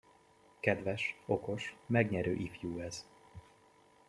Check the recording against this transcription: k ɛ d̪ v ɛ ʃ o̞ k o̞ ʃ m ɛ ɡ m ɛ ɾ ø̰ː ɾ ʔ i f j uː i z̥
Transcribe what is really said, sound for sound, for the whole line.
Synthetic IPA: k ɛ d̪ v ɛ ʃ o̞ k o̞ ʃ m ɛ ɡ ɲ ɛ ɾ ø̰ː ʔ i f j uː ɛ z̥